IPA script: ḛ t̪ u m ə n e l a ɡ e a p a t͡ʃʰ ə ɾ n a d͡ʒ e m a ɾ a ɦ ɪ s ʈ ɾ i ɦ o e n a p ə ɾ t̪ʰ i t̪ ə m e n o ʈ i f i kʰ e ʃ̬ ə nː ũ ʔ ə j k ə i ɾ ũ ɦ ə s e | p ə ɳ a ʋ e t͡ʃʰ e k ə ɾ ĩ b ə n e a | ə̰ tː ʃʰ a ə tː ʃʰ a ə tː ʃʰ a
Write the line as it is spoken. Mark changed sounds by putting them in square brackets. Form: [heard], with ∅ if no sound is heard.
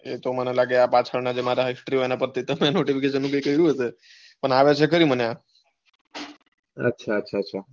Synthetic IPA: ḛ t̪ [o] m ə n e l a ɡ e a p a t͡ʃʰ ə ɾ n a d͡ʒ e m a ɾ a ɦ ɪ s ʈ ɾ i ɦ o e n a p ə ɾ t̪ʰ i t̪ ə m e n o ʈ i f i [k] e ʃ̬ ə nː ũ [k] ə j k ə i ɾ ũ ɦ ə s e | p ə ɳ a ʋ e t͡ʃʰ e k ə ɾ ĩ [m] ə n e a | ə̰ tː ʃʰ a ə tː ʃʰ a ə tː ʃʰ a